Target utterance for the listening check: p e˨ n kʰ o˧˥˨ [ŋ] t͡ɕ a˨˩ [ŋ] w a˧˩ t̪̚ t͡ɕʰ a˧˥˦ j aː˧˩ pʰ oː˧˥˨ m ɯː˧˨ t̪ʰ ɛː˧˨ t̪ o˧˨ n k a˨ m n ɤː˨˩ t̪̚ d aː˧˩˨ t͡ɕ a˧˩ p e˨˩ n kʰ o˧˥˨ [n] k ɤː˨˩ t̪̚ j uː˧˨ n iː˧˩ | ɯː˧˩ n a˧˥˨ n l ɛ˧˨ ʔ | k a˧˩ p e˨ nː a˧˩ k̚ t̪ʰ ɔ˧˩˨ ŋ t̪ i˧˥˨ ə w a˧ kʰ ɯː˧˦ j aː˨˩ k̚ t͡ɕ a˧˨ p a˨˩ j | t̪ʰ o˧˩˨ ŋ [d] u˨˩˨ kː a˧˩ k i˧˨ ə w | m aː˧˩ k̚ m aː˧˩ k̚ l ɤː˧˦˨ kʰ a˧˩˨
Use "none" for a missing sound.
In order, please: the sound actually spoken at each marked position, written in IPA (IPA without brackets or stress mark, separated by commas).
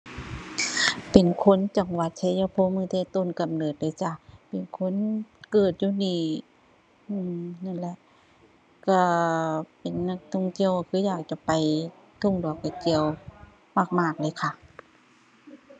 n, ŋ, n, d